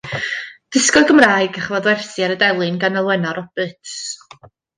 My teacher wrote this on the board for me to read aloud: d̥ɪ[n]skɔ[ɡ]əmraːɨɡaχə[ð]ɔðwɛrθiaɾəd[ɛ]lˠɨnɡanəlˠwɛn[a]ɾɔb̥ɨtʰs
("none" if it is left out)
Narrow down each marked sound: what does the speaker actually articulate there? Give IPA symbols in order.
none, ɡ, v, ɛ, a

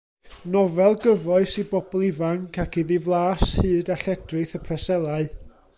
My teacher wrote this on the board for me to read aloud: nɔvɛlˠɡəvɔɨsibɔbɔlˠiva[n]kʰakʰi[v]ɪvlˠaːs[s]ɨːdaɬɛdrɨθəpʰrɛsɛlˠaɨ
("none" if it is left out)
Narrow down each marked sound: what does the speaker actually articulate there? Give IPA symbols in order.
ŋ, ð, h

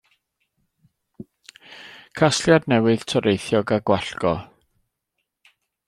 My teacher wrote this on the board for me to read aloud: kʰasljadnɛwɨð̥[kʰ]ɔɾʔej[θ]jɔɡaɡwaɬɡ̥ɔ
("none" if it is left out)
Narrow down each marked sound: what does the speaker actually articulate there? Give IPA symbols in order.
tʰ, θ

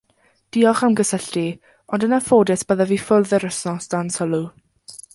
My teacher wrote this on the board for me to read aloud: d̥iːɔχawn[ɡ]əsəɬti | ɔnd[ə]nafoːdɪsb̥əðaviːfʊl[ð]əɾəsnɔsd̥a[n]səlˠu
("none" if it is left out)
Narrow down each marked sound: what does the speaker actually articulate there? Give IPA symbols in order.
ɡ, ə, ð, n

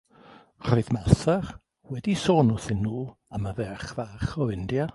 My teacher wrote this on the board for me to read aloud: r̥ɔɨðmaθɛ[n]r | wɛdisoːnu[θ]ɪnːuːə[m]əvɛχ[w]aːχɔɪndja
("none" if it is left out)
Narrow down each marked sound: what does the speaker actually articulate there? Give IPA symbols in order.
none, θ, m, v

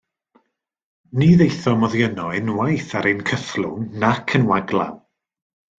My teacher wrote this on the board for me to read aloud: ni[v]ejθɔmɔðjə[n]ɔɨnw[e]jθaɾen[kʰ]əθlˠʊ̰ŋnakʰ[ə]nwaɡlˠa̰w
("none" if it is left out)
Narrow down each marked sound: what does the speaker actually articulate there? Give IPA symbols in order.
ð, n, a, kʰ, ə

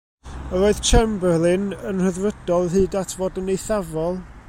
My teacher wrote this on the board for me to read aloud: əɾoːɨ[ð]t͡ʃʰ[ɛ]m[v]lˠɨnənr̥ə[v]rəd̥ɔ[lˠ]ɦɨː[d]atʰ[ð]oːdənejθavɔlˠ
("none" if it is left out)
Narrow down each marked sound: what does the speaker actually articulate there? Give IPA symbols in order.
ð, ɛ, b, ð, lˠ, d, v

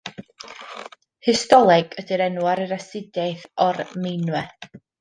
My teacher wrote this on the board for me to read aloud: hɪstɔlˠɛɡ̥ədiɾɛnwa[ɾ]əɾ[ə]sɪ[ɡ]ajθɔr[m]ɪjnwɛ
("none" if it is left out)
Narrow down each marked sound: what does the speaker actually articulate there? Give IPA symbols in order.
ɾ, a, d, m

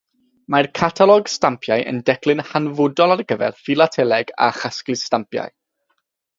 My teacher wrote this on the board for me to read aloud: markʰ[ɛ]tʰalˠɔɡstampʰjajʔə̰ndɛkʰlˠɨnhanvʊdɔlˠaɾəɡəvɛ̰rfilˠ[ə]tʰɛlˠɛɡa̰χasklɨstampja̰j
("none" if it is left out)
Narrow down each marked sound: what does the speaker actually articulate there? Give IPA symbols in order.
a, a

